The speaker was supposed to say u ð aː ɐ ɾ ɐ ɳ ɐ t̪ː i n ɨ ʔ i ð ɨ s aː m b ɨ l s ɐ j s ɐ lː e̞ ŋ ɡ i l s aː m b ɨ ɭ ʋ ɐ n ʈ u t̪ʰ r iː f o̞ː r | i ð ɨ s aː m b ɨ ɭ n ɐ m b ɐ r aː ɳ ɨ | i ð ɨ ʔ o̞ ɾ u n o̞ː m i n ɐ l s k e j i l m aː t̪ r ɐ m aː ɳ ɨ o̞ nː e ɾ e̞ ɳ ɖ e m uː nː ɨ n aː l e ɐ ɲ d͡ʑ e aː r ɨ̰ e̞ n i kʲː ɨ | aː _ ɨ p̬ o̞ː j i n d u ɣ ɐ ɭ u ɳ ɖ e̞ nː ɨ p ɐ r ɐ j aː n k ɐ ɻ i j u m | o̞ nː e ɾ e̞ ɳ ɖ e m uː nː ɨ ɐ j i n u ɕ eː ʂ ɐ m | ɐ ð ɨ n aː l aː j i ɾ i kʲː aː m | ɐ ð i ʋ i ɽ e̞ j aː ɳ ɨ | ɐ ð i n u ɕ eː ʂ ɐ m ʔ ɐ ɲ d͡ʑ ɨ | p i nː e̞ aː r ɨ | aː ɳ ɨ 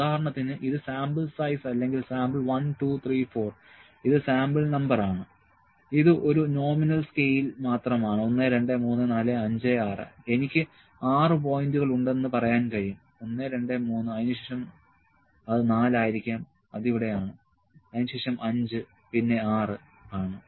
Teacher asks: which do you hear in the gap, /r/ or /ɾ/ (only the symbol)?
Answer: r